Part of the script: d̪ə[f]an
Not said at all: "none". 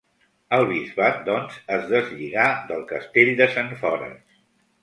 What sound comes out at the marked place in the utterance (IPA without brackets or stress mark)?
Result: s